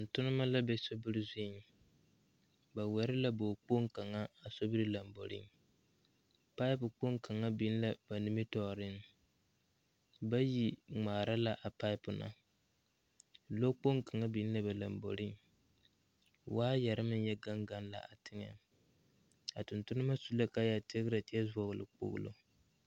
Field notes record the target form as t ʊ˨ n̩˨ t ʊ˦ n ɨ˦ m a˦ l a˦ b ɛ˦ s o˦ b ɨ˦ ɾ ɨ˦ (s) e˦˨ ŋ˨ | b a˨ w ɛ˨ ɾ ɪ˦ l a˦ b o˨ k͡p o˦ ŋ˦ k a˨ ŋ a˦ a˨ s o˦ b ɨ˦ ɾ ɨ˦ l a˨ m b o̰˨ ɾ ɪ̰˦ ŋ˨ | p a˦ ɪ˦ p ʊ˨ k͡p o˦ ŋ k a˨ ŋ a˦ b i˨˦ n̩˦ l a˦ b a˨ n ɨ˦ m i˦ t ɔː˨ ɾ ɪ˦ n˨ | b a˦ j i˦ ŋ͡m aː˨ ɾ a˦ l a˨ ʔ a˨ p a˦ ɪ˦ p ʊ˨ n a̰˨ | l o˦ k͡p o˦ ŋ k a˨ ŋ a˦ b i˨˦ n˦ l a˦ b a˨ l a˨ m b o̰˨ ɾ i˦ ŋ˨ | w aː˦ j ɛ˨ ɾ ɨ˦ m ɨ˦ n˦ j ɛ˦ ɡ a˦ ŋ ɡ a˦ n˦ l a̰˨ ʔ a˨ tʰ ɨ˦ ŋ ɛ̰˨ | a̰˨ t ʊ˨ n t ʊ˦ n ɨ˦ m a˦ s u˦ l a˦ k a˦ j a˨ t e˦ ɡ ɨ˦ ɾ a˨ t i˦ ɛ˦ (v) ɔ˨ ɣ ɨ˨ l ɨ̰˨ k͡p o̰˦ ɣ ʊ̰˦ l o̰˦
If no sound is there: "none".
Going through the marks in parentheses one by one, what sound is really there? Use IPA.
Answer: z, z

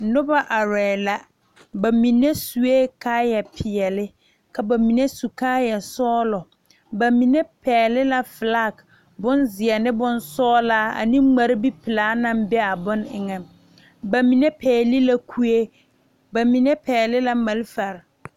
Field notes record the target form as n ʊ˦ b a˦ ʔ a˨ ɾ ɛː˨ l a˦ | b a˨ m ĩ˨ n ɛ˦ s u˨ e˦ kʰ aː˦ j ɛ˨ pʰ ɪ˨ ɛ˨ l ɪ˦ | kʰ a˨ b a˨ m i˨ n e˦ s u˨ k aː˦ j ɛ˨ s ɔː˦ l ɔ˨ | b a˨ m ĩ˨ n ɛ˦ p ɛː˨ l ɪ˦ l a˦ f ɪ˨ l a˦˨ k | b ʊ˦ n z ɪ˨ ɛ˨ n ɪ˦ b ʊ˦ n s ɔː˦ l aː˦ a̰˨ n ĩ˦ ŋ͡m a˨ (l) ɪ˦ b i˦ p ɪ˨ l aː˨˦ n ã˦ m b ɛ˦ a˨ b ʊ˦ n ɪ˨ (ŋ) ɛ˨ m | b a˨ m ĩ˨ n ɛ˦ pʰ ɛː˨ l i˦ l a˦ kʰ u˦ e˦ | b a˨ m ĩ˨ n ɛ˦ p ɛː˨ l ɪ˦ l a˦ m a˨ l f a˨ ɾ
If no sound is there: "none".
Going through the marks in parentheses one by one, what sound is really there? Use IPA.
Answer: ɾ, ŋ

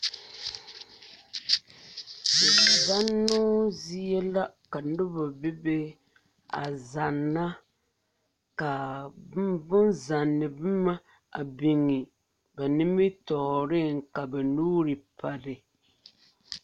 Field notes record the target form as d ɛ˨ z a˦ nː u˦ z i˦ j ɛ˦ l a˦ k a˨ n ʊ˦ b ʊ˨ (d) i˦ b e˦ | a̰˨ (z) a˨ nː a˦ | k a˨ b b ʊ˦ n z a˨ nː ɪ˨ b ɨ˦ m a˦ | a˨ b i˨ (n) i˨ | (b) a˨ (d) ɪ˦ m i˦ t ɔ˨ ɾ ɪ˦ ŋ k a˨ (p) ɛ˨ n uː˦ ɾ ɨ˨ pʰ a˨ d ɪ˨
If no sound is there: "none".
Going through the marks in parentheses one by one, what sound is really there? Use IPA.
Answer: b, z, ŋ, b, n, b

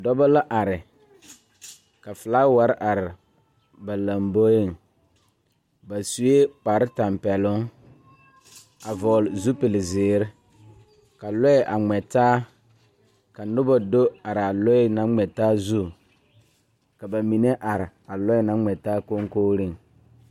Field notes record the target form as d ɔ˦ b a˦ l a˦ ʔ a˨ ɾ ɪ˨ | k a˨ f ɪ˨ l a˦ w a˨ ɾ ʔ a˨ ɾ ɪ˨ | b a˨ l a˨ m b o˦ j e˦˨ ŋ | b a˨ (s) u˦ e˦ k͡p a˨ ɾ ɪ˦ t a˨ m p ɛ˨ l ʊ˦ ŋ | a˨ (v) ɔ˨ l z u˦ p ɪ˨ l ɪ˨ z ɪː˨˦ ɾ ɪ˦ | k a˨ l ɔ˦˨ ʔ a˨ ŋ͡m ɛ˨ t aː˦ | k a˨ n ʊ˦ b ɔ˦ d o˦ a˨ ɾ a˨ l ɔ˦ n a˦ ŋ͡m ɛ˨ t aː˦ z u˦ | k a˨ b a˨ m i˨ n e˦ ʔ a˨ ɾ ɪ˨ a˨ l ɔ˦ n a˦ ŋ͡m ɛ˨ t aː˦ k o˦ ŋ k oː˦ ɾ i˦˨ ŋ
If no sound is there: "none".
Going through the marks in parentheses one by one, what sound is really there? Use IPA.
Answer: s, v

